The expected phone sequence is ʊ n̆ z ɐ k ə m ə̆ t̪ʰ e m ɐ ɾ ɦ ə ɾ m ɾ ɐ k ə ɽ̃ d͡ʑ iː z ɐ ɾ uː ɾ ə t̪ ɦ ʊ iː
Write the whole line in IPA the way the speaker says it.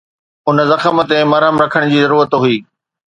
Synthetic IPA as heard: ʊ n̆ z ɐ x ə m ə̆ t̪ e m ɐ ɾ ɦ ə m ɾ ɐ kʰ ə ɽ̃ d͡ʑ iː z ɐ ɾ uː ɾ ə t̪ ɦ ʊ iː